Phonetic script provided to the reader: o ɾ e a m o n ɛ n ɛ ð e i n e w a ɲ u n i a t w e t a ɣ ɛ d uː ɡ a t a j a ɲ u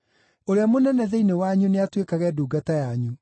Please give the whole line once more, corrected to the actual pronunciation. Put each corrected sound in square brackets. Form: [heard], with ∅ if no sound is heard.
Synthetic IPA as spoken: o ɾ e a m o n ɛ n ɛ ð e i n e w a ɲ u n [e] a t w e [k] a ɣ ɛ d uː ɡ a t a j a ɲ u